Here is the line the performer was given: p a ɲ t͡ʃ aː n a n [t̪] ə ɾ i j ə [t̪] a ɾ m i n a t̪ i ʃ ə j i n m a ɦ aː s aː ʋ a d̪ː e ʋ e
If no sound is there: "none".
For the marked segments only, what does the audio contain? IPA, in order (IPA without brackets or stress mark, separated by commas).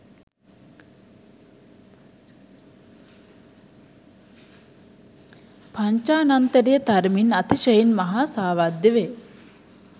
t̪, t̪